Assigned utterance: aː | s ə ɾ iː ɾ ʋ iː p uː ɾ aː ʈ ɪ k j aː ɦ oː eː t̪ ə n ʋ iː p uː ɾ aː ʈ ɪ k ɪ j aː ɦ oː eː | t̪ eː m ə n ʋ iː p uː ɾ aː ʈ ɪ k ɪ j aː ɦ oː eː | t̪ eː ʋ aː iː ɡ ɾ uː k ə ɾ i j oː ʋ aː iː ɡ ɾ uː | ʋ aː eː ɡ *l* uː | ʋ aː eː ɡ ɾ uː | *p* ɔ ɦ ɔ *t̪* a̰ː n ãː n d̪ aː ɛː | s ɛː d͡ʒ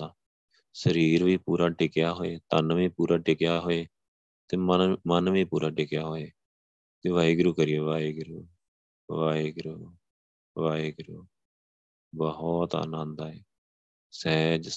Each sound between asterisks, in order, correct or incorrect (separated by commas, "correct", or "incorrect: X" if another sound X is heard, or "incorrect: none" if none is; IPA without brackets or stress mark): incorrect: ɾ, incorrect: b, correct